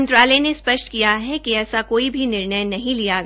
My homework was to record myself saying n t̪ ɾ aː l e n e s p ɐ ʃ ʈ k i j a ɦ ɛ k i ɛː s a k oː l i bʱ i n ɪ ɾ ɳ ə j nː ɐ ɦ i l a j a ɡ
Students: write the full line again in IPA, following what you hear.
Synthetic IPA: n t̪ ɾ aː l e n e s p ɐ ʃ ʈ k i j a ɦ ɛ k i ɛː s a k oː i bʱ i n ɪ ɾ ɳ ə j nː ɐ ɦ ĩ l i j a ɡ